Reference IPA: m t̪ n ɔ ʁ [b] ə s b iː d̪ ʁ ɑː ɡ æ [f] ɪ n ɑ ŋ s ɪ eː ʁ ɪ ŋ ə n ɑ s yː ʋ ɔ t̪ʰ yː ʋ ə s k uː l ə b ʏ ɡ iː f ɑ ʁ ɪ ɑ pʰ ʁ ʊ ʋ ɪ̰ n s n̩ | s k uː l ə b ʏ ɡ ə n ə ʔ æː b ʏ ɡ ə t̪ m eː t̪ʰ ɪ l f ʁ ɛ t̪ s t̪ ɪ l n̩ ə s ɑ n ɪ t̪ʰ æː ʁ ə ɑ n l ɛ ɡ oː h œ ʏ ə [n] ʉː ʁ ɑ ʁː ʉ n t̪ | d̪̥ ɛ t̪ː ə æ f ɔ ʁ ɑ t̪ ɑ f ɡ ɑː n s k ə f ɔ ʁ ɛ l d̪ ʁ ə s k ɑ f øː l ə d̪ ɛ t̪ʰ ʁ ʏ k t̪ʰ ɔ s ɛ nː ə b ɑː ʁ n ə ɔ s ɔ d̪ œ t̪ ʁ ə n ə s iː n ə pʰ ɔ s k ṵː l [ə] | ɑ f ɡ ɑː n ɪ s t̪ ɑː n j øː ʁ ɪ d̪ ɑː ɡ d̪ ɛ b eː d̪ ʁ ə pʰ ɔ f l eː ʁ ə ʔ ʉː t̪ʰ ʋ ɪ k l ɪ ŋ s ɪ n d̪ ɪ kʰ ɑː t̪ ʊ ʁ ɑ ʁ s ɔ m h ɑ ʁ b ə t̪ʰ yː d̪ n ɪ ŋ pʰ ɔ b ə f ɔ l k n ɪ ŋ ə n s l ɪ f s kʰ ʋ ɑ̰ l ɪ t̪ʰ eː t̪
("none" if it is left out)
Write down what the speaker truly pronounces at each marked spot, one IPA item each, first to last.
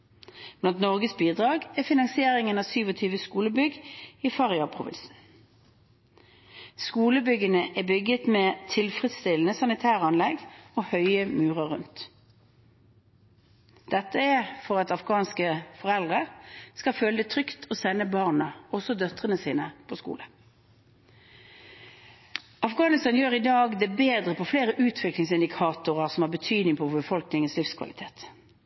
ɡ, f, m, ə

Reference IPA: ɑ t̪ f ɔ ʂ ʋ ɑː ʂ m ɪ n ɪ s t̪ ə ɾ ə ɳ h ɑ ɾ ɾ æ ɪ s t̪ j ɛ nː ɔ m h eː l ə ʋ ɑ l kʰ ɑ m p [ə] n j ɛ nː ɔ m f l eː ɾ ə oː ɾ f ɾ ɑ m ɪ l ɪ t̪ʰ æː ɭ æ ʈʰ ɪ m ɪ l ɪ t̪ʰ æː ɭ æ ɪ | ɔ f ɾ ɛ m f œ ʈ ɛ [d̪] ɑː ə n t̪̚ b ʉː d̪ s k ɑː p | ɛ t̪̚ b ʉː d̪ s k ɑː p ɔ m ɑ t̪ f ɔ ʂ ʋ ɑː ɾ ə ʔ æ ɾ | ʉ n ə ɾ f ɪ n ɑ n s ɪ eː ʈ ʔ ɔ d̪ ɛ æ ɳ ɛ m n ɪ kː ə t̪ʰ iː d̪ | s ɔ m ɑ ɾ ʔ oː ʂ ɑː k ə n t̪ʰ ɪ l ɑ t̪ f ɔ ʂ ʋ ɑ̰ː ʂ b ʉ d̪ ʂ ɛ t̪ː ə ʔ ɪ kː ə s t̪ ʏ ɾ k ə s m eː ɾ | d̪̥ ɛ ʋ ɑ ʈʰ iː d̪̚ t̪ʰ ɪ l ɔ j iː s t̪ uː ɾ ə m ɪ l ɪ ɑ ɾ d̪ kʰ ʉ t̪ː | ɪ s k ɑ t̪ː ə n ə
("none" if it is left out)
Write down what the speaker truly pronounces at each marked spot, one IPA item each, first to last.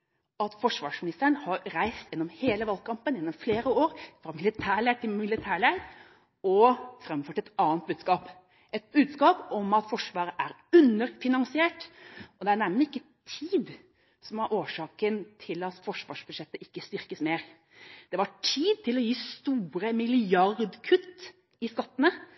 ə, t̪

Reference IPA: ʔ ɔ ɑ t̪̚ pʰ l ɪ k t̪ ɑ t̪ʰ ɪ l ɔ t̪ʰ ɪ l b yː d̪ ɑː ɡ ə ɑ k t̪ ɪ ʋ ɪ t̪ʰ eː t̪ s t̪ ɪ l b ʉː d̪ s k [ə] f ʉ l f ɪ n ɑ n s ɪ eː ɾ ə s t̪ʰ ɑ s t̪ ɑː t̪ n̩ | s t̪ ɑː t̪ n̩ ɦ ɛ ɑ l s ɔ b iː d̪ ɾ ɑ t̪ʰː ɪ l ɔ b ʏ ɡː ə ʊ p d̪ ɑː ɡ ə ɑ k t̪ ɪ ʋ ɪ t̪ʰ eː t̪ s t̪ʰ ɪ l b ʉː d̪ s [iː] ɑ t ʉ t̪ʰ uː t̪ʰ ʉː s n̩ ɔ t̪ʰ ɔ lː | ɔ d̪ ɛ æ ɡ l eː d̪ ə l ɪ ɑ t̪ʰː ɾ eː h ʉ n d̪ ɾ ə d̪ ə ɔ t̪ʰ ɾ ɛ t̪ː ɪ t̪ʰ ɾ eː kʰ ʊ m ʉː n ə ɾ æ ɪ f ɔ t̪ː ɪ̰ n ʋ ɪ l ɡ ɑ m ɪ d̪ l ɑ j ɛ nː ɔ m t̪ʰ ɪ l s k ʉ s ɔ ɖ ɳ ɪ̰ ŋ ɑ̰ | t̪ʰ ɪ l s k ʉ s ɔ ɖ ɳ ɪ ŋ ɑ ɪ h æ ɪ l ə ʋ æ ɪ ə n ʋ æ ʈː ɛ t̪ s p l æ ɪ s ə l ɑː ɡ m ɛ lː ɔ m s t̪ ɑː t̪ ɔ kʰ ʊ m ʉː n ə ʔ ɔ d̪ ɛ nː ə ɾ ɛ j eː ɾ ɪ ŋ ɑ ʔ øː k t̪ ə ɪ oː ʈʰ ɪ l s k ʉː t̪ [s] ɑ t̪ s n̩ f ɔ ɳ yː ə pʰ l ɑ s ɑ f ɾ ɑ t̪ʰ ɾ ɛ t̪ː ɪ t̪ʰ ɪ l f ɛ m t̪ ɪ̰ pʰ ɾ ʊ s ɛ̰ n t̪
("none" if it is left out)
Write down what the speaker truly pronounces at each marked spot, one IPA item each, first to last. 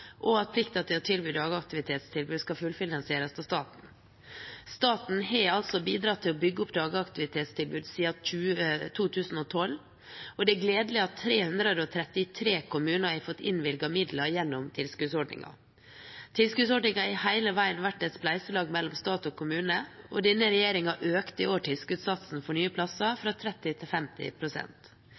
ɑ, iː, s

